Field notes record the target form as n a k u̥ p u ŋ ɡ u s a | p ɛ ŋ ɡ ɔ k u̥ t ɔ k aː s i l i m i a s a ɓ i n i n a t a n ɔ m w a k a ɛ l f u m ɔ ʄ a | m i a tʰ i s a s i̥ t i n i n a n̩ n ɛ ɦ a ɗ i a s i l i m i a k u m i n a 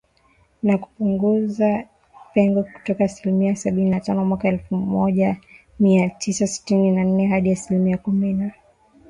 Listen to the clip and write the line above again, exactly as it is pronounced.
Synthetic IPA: n a k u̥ p u ŋ ɡ u z a | p ɛ ŋ ɡ ɔ k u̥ t ɔ k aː s i l i m i a s a ɓ i n i n a t a n ɔ m w a k a ɛ l f u m ɔ ʄ a | m i a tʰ i s a s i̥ t i n i n a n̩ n ɛ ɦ a ɗ i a s i l i m i a k u m i n a